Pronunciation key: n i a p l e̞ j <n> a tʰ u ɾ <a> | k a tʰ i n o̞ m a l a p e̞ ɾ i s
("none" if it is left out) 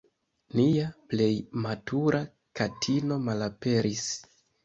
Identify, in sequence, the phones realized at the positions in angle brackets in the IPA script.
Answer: m, a

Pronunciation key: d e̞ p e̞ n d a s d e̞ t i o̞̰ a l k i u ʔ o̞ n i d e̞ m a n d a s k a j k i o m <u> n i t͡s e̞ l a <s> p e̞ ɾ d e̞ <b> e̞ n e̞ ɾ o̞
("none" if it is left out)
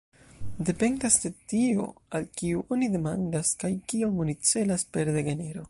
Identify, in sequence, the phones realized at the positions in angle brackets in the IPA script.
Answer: o, s, ɡ

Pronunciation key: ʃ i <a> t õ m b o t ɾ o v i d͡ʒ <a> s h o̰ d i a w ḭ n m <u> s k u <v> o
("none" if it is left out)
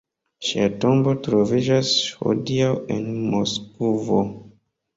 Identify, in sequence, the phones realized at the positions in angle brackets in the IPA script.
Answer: a, a, o, v

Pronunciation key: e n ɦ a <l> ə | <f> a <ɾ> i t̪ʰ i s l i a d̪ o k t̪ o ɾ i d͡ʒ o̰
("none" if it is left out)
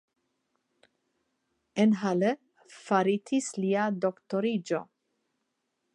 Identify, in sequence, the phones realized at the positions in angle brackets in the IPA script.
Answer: l, f, ɾ

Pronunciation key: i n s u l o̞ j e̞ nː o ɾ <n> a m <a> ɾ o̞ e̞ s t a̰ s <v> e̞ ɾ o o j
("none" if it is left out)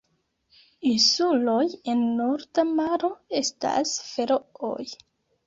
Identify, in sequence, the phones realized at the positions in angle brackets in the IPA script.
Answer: d, a, f

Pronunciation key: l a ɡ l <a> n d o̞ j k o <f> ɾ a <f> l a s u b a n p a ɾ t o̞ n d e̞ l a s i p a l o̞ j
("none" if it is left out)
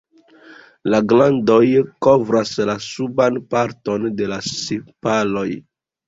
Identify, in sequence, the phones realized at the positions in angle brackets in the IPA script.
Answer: a, v, s

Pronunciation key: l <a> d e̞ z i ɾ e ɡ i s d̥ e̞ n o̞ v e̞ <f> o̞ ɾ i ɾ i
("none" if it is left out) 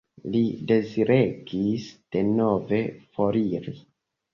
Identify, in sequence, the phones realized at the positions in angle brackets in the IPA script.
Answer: i, f

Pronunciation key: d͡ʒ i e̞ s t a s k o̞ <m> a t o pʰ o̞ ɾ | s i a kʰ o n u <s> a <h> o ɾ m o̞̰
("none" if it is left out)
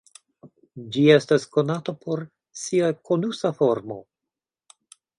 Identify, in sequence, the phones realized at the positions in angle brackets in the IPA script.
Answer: n, s, f

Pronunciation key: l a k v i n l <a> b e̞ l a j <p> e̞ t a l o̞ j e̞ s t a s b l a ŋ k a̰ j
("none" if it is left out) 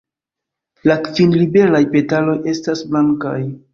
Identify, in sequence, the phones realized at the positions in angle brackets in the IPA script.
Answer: i, p

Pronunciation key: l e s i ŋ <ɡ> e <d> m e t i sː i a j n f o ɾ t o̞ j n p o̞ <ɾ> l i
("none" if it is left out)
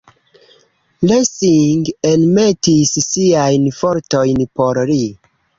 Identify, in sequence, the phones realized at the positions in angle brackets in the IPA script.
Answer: ɡ, n, ɾ

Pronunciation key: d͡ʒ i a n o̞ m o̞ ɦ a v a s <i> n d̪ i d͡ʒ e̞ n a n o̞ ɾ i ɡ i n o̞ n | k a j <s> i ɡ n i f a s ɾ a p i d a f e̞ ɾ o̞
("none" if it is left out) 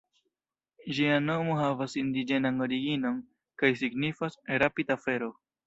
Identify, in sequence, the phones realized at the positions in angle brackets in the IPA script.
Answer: i, s

